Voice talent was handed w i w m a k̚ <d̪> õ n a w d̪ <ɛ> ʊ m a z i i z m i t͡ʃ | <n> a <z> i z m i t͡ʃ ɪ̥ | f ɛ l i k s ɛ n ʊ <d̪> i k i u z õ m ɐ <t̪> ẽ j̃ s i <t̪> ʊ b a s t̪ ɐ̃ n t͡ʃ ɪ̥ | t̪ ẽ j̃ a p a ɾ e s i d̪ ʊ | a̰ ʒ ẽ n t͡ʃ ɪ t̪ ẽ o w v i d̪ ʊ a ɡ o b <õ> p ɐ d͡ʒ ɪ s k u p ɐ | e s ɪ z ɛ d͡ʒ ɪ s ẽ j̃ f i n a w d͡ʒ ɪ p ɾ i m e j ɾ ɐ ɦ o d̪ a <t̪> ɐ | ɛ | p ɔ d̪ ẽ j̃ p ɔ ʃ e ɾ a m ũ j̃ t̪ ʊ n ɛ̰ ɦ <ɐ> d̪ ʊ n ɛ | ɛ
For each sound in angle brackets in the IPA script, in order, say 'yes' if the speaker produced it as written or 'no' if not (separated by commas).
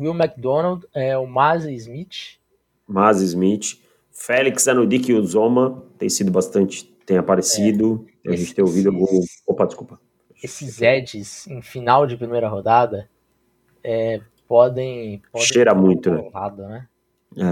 yes, yes, no, yes, yes, yes, no, no, no, no